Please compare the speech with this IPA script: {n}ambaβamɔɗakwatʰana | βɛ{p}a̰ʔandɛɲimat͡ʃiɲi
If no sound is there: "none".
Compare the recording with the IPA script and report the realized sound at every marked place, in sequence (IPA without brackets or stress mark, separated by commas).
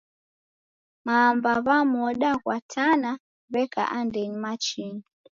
m, k